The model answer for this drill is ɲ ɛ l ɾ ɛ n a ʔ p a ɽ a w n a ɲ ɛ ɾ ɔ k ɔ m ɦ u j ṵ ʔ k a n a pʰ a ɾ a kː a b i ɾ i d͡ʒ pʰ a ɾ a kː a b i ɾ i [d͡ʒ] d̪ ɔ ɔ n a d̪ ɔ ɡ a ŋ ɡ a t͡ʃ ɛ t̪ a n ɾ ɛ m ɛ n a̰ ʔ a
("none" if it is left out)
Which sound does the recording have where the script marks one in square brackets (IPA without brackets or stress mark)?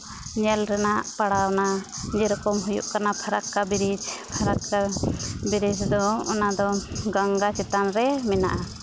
d͡ʒ